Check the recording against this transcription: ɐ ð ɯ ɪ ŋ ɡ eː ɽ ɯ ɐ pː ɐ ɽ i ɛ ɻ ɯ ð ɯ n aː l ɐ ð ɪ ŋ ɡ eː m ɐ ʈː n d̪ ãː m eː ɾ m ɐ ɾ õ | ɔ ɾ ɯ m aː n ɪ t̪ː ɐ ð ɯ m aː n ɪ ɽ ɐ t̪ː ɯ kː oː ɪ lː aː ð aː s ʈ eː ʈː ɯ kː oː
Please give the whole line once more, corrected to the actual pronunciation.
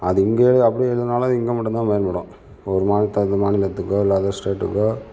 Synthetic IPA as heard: ɐ ð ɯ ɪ ŋ ɡ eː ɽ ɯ ɐ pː ɐ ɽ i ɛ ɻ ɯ ð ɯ n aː l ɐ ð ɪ ŋ ɡ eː m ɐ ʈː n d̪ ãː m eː ɾ m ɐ ɽ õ | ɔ ɾ ɯ m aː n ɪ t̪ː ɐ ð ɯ m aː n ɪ l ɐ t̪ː ɯ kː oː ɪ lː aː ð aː s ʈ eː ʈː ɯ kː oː